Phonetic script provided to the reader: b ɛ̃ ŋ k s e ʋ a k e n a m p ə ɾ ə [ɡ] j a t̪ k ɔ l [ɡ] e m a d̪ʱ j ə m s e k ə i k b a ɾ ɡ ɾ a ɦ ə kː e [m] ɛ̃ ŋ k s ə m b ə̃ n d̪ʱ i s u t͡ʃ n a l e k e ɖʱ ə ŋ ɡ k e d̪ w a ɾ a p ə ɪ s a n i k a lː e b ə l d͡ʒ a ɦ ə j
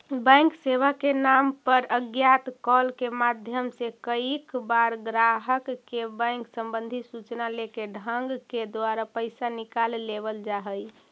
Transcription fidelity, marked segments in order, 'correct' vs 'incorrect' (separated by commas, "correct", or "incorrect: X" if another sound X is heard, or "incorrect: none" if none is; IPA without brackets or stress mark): correct, incorrect: k, incorrect: b